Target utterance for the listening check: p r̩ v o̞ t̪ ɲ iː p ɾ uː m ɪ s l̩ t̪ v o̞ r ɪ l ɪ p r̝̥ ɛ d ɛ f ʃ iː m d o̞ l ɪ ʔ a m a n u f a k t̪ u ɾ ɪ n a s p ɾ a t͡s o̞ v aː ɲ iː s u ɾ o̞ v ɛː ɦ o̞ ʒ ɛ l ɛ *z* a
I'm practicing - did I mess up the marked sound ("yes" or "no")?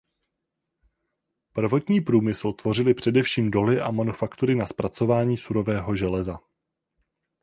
no